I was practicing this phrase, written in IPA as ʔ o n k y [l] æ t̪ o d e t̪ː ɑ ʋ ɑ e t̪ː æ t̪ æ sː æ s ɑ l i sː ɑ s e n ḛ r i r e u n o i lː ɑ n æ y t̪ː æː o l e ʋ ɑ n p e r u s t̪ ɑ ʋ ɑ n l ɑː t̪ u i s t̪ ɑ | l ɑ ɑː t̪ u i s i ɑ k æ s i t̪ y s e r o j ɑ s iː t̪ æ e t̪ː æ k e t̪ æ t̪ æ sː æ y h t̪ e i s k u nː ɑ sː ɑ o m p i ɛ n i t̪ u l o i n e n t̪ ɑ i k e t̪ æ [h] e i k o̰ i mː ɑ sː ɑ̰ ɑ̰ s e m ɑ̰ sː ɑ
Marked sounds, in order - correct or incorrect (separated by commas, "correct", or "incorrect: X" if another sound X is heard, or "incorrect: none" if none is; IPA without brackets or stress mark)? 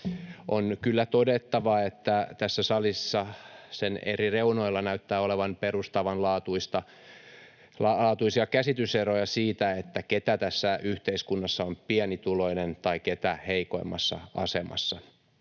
incorrect: lː, correct